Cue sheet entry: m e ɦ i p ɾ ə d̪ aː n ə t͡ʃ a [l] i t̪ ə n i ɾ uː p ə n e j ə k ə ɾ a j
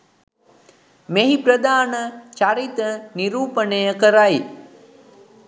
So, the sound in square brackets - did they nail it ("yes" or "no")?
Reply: no